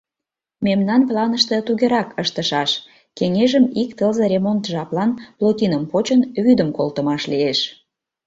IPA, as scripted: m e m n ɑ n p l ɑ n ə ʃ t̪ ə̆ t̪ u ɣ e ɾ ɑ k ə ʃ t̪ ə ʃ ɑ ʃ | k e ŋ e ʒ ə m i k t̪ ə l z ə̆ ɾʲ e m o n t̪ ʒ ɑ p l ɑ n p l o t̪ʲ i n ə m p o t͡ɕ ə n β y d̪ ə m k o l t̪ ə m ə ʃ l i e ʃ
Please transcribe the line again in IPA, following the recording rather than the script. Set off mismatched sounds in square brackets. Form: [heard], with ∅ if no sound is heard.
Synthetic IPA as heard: m e m n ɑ n p l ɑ n ə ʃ t̪ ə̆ t̪ u ɣ e ɾ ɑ k ə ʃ t̪ ə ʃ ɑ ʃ | k e ŋ e ʒ ə m i k t̪ ə l z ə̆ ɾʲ e m o n t̪ ʒ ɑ p l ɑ n p l o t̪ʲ i n ə m p o t͡ɕ ə n β y d̪ ə m k o l t̪ ə m [ɑ] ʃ l i e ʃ